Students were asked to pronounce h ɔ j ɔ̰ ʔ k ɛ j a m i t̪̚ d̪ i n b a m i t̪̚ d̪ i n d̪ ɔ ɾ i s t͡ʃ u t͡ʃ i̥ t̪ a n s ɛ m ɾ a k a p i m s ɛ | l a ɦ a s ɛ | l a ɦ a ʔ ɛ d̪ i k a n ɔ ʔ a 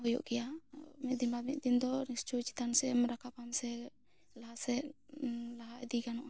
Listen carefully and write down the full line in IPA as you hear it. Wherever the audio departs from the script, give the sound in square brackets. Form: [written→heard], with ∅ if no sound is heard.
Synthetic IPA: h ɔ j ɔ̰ ʔ k ɛ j a m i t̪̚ d̪ i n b a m i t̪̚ d̪ i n d̪ ɔ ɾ i s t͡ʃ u t͡ʃ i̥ t̪ a n s ɛ m ɾ a k a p [i→a] m s ɛ | l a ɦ a s ɛ | l a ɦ a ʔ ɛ d̪ i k a n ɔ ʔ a